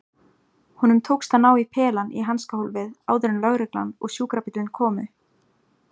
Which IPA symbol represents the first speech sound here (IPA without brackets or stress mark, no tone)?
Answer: h